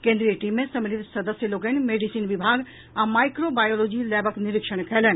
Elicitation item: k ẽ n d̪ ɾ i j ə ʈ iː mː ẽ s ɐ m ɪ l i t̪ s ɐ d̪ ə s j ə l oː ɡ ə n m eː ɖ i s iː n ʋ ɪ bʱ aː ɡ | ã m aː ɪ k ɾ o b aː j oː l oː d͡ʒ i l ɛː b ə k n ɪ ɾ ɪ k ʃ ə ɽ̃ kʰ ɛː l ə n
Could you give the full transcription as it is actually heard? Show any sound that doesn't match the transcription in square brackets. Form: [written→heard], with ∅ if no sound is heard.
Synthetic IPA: k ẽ n d̪ ɾ i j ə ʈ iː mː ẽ s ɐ m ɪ l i t̪ s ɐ d̪ ə s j ə l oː ɡ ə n m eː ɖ i s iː n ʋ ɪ bʱ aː ɡ | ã m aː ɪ k ɾ o b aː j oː l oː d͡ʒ i l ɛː b ə k n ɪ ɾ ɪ k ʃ ə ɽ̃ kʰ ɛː l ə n